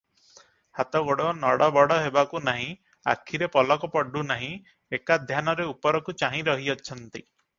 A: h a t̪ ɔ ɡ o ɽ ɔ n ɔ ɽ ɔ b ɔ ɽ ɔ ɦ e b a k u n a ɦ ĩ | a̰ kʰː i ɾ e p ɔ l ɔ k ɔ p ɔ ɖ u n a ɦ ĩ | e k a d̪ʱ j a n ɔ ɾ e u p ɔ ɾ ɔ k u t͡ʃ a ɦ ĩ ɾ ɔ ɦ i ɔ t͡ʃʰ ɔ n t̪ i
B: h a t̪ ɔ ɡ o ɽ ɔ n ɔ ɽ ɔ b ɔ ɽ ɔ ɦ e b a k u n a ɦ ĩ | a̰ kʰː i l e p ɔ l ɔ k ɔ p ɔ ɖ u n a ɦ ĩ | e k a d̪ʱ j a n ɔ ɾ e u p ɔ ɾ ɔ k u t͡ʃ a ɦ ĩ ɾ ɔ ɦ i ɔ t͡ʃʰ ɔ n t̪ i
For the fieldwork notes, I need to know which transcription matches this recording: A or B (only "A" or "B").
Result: A